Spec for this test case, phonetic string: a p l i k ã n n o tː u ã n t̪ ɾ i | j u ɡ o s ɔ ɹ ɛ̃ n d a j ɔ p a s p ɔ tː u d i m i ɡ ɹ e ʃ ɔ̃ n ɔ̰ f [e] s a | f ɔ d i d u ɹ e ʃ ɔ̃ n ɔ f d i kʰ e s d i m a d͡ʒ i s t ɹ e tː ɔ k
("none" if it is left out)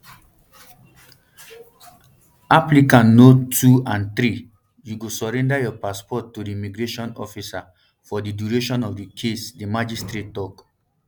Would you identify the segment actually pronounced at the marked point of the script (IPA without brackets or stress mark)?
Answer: i